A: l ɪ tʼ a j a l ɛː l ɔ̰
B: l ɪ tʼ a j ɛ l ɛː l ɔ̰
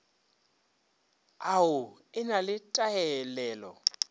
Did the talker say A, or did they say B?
B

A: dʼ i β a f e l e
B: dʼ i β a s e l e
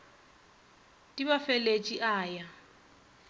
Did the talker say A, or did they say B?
A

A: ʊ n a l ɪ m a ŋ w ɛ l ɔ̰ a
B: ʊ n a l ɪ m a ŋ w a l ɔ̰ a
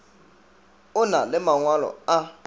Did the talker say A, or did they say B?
B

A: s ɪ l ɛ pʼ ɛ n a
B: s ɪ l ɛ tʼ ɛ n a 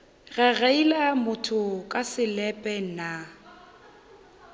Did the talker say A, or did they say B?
A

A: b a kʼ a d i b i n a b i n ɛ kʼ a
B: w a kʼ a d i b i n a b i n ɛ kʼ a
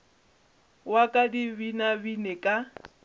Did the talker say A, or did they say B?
B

